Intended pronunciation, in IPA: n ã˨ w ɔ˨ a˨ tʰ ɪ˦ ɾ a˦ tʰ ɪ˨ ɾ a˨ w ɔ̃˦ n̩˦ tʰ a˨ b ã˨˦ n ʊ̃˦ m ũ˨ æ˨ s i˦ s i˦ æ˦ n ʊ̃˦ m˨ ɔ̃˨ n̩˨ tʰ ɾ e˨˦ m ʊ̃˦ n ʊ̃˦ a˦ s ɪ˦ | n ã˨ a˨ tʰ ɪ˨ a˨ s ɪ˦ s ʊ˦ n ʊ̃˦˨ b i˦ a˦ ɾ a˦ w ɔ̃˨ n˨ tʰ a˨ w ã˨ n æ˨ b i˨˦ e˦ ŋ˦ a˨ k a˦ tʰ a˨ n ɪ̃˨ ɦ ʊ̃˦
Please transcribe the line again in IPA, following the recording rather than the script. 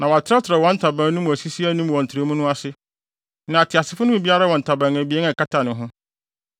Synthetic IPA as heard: n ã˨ w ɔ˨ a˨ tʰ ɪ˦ ɾ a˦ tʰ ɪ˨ ɾ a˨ w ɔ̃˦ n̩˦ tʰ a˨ b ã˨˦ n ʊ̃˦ m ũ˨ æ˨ s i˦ s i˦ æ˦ n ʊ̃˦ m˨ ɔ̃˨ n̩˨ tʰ ɾ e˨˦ m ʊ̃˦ n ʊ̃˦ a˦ s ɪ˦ | n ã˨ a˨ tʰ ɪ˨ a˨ s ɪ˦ f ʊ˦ n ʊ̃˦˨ b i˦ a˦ ɾ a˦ w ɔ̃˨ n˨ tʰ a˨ b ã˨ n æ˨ b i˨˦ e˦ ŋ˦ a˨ k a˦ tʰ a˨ n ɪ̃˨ ɦ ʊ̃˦

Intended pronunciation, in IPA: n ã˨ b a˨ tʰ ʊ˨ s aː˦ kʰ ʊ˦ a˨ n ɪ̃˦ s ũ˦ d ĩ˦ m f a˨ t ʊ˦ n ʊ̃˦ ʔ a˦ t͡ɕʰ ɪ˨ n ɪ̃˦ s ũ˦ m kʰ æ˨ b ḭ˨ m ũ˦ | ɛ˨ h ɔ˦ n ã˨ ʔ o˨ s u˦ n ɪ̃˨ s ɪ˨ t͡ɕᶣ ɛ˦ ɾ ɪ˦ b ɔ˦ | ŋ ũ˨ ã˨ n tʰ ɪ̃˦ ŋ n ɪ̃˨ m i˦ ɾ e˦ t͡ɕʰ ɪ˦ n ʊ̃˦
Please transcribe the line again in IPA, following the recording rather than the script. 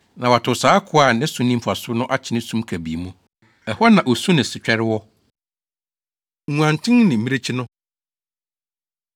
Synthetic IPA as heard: n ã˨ w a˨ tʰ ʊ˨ s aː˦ kʰ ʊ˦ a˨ n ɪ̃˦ s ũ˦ n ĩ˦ m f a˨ s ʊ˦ n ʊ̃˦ ʔ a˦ t͡ɕʰ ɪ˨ n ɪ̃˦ s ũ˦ m kʰ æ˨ b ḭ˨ m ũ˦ | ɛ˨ h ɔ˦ n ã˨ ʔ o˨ s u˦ n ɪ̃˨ s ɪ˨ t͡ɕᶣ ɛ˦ ɾ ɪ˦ w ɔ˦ | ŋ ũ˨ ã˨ n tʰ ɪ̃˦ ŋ n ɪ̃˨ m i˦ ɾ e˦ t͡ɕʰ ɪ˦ n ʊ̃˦

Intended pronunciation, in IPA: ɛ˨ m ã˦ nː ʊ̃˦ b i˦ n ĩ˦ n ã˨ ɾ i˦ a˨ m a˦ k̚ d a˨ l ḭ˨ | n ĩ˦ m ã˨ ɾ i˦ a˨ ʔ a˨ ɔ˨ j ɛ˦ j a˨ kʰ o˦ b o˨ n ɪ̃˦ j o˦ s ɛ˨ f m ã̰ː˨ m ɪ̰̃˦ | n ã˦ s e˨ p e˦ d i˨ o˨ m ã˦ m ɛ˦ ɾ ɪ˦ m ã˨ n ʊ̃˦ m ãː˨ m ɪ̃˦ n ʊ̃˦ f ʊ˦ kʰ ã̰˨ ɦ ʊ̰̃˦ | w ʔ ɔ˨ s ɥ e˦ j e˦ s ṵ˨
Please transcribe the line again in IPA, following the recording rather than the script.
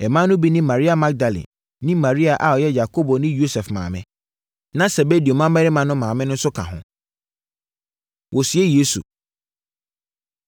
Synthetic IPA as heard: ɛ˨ m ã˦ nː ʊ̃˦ b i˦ n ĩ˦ m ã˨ ɾ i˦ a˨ m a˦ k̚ d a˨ l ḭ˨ | n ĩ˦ m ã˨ ɾ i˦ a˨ ʔ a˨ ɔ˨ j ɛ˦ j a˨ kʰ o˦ b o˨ n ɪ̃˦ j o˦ s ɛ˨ f m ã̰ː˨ m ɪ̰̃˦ | n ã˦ s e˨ b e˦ d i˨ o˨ m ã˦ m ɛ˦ ɾ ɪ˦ m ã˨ n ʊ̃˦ m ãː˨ m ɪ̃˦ n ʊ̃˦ s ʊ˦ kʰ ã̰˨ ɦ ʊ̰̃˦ | w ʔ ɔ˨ s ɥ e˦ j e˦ s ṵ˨

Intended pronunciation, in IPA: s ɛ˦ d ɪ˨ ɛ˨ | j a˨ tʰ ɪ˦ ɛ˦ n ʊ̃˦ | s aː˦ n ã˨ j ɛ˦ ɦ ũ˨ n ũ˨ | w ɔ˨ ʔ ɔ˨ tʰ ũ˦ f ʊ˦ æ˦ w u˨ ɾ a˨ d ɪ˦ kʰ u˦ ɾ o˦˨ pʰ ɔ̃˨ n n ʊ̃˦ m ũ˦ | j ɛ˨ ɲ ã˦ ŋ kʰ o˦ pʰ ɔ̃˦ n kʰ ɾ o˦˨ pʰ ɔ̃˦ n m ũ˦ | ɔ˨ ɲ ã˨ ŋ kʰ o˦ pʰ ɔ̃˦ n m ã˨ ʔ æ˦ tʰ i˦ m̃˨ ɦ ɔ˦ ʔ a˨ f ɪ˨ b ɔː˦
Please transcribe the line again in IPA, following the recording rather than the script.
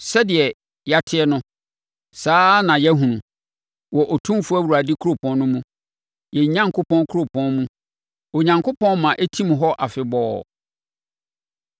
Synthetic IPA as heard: s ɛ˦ d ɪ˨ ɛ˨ | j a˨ tʰ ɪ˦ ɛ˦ n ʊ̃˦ | s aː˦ n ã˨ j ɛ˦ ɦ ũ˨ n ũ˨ | w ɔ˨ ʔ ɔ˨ tʰ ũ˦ f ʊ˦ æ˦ w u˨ ɾ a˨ d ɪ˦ kʰ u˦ ɾ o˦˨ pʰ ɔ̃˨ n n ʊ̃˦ m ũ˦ | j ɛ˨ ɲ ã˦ ŋ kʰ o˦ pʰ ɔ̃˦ n kʰ ɾ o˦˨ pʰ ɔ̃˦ n m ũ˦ | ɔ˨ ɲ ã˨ ŋ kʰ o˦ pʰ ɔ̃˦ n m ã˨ ʔ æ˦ tʰ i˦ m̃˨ ɦ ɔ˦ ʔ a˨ f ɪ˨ b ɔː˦

